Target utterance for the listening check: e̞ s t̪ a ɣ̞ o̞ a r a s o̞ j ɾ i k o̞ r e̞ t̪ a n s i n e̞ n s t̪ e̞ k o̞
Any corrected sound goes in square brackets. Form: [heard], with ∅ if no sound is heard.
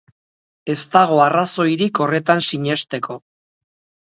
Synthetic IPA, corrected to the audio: e̞ s t̪ a ɣ̞ o̞ a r a s o̞ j ɾ i k o̞ r e̞ t̪ a n s i [ɲ] e̞ [∅] s t̪ e̞ k o̞